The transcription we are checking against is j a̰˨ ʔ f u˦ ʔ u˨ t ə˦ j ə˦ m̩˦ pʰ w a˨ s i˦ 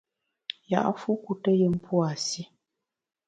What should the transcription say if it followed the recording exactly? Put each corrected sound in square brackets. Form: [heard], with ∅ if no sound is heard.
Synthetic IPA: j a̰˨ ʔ f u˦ [k] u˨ t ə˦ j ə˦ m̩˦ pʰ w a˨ s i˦